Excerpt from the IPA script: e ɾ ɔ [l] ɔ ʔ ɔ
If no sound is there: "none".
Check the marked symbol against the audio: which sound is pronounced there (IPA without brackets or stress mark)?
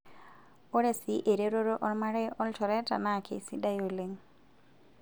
ɾ